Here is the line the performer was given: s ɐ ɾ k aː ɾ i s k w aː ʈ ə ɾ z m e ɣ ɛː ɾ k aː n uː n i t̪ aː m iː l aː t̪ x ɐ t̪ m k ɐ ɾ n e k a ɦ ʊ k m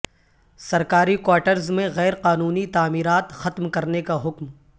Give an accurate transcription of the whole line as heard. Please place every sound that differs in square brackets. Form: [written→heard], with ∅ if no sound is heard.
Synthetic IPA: s ɐ ɾ k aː ɾ i [s→∅] k w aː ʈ ə ɾ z m [e→ẽ] ɣ ɛː ɾ [k→q] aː n uː n i t̪ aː m iː [l→ɾ] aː t̪ x ɐ t̪ m k ɐ ɾ n e k a ɦ ʊ k m